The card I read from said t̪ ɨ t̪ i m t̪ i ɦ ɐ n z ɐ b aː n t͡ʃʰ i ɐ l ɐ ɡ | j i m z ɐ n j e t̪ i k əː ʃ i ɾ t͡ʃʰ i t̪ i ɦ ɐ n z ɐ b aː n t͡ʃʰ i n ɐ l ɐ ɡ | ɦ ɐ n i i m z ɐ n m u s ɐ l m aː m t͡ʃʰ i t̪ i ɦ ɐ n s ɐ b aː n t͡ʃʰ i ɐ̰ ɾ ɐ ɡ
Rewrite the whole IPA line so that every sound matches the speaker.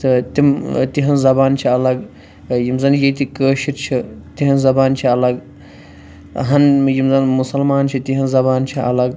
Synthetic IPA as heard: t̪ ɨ t̪ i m t̪ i ɦ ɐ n z ɐ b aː n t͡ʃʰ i ɐ l ɐ ɡ | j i m z ɐ n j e t̪ i k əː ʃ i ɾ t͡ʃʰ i t̪ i ɦ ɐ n z ɐ b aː n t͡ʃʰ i ɐ l ɐ ɡ | ɦ ɐ n j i m z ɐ n m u s ɐ l m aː n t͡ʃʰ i t̪ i ɦ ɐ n z ɐ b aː n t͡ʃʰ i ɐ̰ l ɐ ɡ